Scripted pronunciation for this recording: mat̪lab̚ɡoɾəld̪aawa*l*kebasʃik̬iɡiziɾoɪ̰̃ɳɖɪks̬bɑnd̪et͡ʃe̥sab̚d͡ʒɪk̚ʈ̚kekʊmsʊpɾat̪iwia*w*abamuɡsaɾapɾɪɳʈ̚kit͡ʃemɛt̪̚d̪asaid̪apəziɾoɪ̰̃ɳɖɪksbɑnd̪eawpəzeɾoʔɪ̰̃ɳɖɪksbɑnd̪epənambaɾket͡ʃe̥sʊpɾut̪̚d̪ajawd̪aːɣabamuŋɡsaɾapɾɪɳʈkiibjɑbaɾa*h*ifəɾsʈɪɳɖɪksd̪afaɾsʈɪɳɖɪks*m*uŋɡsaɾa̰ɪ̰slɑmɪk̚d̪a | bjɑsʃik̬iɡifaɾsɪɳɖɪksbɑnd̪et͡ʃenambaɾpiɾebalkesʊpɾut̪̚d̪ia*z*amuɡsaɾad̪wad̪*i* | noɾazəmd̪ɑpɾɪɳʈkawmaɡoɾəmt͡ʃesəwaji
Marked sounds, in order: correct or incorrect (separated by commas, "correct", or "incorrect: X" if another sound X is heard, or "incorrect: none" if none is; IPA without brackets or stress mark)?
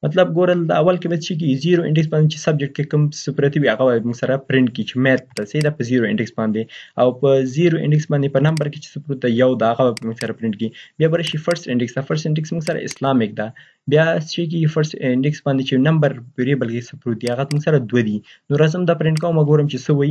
correct, incorrect: ɣ, incorrect: ʃ, correct, incorrect: ɣ, correct